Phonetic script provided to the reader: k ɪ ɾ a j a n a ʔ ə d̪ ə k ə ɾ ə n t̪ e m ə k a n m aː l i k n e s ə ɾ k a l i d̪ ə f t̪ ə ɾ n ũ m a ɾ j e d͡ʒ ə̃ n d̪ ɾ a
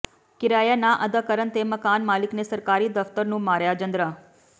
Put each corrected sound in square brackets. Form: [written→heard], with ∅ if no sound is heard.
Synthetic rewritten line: k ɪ ɾ a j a n a ʔ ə d̪ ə k ə ɾ ə n t̪ e m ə k a n m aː l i k n e s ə ɾ k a [l→ɾ] i d̪ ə f t̪ ə ɾ n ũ m a ɾ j [e→a] d͡ʒ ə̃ n d̪ ɾ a